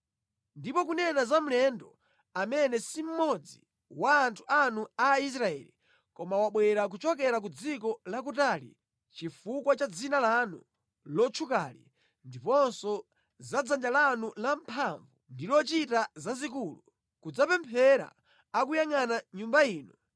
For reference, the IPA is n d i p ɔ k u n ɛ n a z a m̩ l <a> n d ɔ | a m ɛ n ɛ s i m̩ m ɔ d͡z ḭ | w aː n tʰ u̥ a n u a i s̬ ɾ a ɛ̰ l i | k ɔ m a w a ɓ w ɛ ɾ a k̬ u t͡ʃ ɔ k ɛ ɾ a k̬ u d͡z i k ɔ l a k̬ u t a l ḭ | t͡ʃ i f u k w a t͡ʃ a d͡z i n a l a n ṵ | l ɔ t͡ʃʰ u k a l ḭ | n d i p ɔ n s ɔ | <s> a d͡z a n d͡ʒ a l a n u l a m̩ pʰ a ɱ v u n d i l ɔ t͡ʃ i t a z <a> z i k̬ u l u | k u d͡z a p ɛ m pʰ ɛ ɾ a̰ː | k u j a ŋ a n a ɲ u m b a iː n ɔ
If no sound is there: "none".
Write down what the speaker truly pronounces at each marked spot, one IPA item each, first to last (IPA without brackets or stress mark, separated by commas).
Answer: ɛ, z, a